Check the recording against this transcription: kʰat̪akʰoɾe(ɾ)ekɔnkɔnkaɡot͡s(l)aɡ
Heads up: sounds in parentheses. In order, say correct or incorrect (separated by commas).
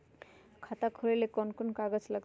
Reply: incorrect, correct